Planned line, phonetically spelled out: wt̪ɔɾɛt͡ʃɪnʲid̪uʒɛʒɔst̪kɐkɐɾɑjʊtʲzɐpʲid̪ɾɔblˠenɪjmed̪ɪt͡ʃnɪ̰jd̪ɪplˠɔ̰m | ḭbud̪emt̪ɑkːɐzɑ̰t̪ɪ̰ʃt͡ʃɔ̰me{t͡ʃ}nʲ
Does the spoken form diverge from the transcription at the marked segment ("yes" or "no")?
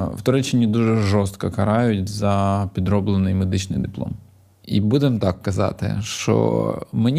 yes